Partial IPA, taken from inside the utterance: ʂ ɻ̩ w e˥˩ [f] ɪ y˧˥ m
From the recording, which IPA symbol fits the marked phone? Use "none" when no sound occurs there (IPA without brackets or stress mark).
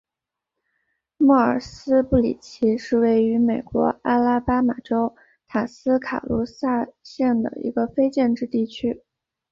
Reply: none